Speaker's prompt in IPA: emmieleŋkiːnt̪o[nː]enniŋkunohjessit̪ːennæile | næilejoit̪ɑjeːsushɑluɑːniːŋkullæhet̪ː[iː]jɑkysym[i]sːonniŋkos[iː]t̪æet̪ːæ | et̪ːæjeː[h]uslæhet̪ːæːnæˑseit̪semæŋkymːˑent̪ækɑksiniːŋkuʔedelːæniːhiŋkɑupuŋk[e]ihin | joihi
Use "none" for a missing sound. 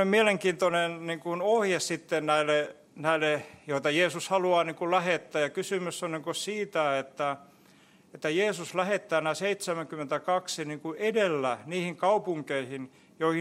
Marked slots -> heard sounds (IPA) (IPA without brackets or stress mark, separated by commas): n, æː, y, iː, s, e